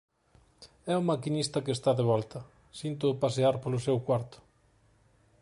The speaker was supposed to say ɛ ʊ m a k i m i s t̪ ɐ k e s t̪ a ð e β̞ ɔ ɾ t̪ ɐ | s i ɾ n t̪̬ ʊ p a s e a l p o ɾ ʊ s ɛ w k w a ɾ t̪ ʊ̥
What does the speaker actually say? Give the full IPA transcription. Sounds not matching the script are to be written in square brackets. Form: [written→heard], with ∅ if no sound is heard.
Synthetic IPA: ɛ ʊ m a k i [m→n] i s t̪ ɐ k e s t̪ a ð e β̞ ɔ [ɾ→l] t̪ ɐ | s i [ɾ→∅] n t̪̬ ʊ p a s e a [l→ɾ] p o [ɾ→l] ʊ s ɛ w k w a ɾ t̪ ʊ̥